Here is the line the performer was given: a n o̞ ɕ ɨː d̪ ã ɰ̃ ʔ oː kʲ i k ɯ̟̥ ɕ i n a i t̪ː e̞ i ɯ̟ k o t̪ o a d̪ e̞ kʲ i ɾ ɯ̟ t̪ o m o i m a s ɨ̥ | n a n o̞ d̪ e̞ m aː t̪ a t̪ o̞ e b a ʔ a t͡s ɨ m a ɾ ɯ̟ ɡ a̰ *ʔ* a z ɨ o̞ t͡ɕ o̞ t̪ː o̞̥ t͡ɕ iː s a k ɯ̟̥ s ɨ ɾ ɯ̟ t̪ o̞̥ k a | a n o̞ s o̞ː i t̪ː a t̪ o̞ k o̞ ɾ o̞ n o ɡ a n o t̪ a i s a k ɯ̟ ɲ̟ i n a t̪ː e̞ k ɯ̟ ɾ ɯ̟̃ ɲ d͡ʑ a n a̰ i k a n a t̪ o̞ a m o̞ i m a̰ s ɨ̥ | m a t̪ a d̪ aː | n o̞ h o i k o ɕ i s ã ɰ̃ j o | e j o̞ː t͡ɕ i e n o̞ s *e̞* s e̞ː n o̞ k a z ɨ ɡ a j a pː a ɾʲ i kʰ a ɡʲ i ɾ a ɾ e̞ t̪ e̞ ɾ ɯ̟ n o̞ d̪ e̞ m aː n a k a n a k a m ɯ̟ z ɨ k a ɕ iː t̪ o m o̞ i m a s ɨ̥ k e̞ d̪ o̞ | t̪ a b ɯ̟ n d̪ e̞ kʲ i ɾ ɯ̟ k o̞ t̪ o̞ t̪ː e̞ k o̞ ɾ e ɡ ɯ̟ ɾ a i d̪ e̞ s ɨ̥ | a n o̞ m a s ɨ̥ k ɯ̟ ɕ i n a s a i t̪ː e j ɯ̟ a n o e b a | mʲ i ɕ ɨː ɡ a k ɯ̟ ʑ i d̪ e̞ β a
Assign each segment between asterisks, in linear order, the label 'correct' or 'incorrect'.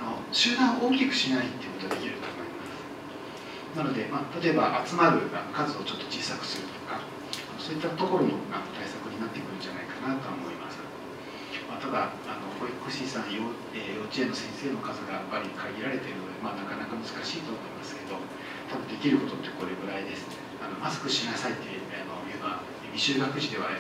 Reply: incorrect, incorrect

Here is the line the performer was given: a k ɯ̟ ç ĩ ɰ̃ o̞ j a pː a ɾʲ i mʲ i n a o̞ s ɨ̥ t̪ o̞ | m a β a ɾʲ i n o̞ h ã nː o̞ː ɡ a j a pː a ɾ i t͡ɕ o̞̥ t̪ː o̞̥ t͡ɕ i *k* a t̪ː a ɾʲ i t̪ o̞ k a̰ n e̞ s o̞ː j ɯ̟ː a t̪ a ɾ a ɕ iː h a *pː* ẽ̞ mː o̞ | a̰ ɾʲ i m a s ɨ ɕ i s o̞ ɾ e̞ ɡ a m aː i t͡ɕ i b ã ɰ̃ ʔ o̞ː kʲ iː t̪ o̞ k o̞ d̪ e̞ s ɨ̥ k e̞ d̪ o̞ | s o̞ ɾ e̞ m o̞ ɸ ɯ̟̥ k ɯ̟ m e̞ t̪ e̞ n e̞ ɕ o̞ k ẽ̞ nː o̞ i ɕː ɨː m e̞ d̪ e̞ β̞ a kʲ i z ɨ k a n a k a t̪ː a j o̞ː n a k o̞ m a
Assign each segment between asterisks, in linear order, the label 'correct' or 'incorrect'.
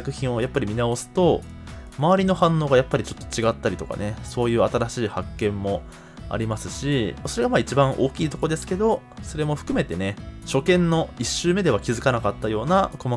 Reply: incorrect, incorrect

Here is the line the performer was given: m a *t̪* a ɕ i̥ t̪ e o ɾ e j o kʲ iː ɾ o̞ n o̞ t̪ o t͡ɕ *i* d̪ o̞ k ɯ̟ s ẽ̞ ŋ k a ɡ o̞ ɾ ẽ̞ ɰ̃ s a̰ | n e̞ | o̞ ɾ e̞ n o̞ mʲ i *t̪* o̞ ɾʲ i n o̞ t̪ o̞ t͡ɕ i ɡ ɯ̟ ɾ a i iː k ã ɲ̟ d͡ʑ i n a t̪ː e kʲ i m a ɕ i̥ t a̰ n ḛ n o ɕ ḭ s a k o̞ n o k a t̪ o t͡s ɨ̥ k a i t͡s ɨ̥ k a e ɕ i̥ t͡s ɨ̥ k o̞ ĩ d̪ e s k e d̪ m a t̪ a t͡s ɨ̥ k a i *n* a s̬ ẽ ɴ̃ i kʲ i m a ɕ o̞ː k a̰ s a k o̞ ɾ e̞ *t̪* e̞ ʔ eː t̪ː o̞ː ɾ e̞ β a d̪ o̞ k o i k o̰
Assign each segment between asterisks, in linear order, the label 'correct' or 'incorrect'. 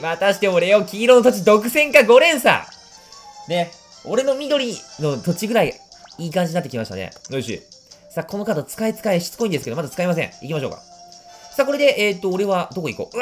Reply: correct, correct, incorrect, incorrect, incorrect

